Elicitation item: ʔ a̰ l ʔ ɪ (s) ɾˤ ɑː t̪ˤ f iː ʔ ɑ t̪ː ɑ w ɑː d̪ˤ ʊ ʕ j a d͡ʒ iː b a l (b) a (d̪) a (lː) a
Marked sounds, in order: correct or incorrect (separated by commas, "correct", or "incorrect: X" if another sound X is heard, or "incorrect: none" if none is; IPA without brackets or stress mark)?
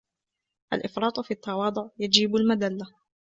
incorrect: f, incorrect: m, correct, correct